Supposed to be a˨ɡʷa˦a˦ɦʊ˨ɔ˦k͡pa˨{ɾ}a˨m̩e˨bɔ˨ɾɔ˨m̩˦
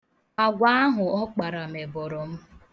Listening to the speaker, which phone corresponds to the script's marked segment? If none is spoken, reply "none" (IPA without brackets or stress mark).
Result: ɾ